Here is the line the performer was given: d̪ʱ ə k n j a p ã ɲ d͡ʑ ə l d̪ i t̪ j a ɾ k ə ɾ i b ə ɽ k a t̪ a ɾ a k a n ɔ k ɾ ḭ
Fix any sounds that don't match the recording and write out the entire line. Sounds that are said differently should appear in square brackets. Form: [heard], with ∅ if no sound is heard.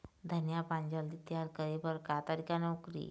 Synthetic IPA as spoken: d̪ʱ ə [∅] n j a p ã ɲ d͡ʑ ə l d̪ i t̪ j a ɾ k ə ɾ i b ə [ɾ] k a t̪ a ɾ [i] k a n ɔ k ɾ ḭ